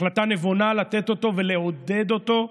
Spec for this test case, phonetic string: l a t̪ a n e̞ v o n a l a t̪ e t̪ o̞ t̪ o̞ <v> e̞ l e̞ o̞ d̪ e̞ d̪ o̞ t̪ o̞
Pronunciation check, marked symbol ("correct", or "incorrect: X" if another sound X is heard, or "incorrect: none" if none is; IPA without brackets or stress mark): correct